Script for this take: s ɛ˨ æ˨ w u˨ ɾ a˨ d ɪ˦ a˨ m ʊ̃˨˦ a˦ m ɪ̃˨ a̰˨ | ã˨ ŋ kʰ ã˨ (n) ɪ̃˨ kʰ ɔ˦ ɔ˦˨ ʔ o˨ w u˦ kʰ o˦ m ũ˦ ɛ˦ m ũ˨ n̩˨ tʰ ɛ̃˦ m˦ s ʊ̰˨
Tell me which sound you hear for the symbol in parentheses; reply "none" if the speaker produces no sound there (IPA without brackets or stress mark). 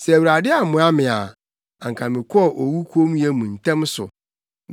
m